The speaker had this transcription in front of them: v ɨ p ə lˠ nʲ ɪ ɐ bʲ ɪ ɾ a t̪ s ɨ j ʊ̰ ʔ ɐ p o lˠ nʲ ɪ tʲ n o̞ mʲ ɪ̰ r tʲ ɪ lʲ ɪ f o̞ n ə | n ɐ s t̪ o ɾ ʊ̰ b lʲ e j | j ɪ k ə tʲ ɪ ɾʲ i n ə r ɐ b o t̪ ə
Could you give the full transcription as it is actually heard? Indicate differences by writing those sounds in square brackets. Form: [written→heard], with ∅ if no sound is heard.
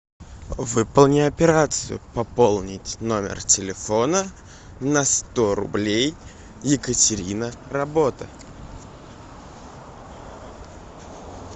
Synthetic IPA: v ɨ p ə lˠ nʲ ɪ ɐ [bʲ→pʲ] ɪ ɾ a t̪ s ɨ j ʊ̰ [ʔ→p] ɐ p o lˠ nʲ ɪ tʲ n o̞ mʲ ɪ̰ r tʲ ɪ lʲ ɪ f o̞ n ə | n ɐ s t̪ o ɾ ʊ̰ b lʲ e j | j ɪ k ə tʲ ɪ ɾʲ i n ə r ɐ b o t̪ ə